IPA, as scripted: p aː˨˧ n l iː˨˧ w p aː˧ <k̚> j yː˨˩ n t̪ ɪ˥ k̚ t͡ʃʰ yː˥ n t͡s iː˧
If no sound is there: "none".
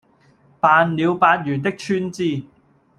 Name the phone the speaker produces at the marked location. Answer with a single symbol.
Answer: t̚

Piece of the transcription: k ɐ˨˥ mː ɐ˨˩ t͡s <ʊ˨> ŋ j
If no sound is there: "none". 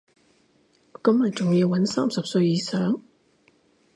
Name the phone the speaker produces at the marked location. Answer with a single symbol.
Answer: ʊ˨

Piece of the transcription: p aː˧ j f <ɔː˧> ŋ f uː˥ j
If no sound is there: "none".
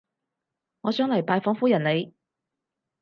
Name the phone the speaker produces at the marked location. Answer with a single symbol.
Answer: ɔː˨˥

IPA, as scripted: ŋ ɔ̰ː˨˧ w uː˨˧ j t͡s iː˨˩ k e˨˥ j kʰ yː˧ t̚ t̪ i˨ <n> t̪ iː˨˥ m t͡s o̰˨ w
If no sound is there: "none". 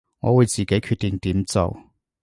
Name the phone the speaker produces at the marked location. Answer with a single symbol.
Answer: ŋ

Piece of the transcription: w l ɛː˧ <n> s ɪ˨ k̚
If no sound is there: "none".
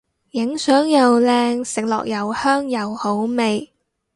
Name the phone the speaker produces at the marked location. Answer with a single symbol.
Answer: ŋ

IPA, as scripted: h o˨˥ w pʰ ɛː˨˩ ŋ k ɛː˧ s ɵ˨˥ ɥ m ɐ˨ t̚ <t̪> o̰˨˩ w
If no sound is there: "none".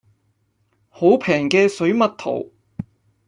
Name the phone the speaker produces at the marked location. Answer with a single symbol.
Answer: t̪ʰ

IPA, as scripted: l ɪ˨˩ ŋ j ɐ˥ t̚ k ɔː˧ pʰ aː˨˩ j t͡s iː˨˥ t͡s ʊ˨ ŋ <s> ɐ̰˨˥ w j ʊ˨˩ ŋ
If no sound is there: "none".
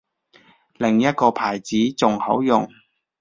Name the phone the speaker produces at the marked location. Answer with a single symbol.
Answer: h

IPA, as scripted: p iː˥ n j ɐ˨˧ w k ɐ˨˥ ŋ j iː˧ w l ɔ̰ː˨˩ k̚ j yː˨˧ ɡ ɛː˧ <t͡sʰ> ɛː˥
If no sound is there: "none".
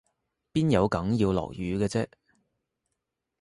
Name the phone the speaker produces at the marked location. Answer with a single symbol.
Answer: t͡s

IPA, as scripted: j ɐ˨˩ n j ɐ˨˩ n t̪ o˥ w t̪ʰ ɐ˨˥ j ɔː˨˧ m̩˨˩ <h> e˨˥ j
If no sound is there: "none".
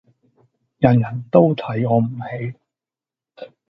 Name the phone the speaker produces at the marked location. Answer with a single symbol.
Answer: h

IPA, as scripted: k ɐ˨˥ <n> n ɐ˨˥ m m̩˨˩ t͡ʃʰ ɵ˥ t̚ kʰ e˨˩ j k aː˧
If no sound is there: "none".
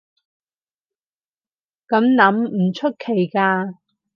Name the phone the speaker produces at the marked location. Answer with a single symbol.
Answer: m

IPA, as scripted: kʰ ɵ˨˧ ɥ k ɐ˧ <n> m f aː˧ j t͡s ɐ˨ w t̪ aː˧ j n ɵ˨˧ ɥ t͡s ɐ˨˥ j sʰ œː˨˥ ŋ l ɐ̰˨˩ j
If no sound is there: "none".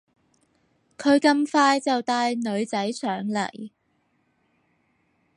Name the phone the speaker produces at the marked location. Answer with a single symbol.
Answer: none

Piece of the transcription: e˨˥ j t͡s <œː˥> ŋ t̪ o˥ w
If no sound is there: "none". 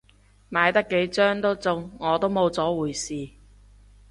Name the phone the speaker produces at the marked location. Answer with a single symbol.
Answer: œː˥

